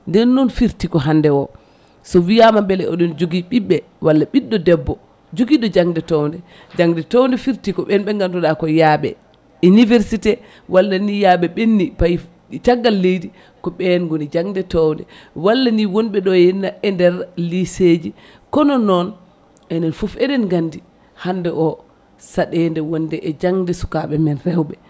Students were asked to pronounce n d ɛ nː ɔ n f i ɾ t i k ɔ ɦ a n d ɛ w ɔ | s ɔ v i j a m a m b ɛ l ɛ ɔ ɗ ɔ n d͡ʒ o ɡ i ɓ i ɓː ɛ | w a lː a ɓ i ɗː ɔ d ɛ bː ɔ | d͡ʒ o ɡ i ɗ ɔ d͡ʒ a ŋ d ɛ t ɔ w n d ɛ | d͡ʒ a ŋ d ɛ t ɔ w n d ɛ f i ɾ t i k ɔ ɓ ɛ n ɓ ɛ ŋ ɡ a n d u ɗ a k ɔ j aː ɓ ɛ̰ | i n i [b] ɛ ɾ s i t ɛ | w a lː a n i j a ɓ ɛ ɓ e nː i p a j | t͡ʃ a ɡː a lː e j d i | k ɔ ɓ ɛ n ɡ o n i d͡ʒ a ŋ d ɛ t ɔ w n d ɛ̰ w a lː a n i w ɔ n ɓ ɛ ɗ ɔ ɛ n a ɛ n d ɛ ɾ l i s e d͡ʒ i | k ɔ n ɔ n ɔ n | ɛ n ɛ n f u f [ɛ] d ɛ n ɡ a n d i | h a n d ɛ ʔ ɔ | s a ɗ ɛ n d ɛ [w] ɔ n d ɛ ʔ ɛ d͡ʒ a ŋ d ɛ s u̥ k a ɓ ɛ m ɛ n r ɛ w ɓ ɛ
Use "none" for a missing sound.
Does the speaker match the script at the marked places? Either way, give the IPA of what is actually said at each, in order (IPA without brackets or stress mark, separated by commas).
v, ɛ, w